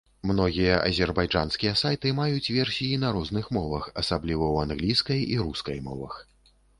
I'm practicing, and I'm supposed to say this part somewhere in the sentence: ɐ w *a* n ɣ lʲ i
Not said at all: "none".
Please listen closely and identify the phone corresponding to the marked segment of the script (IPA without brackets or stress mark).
a